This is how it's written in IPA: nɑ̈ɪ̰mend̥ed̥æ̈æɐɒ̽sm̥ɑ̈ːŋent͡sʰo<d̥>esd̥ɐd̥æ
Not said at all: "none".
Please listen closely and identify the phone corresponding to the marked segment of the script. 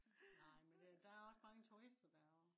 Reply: none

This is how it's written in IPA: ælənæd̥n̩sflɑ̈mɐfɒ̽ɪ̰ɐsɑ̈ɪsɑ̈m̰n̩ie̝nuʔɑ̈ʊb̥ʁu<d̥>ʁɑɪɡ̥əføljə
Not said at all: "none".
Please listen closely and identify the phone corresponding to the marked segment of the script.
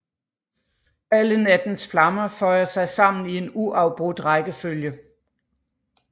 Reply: d̥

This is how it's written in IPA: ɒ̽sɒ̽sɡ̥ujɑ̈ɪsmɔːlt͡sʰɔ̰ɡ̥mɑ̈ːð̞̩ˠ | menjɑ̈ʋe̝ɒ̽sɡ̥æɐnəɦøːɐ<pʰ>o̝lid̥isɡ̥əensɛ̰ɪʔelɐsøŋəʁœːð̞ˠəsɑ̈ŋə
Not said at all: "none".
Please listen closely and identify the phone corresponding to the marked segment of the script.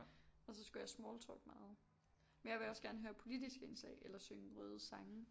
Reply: pʰ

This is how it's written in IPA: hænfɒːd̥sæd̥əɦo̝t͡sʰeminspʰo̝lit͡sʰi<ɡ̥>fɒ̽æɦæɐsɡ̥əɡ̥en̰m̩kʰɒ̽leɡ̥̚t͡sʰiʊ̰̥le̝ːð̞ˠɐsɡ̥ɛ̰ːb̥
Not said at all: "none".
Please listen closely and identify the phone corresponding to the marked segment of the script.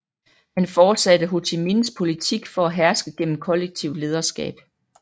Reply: ɡ̥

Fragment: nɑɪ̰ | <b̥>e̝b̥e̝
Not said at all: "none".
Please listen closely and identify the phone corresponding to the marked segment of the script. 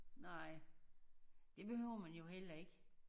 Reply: d̥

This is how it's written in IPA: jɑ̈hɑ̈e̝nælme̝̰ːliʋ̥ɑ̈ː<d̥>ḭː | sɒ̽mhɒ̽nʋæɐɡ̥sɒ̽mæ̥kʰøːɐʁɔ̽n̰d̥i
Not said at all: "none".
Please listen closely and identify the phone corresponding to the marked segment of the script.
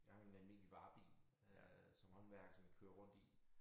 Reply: b̥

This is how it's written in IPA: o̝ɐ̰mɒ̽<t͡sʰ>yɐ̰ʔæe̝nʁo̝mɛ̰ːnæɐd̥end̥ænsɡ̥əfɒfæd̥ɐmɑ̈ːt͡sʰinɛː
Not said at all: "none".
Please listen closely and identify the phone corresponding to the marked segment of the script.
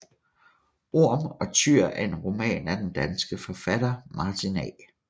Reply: t͡sʰ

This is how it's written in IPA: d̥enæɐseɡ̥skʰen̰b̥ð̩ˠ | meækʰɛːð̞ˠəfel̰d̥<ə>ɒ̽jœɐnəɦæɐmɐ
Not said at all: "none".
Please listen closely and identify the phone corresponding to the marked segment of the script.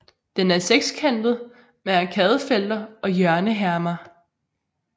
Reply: ɐ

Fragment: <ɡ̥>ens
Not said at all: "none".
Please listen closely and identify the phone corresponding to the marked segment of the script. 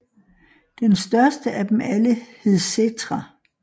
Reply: d̥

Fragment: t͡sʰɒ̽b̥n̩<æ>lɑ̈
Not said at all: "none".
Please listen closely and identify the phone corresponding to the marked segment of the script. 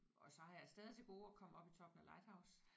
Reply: æ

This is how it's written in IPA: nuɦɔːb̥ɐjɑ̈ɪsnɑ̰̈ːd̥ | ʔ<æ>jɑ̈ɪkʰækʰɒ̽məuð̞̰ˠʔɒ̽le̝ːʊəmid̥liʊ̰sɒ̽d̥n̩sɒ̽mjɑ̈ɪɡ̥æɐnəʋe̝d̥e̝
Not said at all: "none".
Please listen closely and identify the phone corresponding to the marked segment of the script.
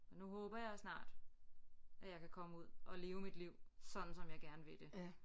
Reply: æ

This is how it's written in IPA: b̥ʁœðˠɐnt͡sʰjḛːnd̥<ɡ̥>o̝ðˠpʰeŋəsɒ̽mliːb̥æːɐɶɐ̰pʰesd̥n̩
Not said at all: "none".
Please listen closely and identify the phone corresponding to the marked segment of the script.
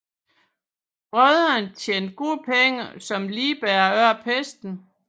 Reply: ɡ̥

